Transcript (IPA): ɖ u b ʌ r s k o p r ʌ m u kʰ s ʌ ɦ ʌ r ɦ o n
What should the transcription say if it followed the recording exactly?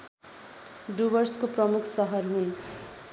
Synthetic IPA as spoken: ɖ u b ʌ r s k o p r ʌ m u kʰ s ʌ ɦ ʌ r ɦ u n